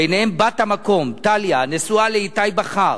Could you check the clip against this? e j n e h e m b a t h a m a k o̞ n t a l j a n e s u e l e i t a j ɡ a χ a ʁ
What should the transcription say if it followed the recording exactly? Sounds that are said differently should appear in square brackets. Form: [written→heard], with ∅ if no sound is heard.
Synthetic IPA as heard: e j n e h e m b a t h a m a k o̞ [n→m] t a l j a n e s u [e→a] l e i t a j [ɡ→b] a χ a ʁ